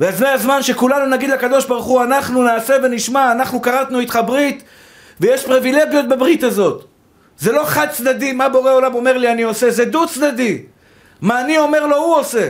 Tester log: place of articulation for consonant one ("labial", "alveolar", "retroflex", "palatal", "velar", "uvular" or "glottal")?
labial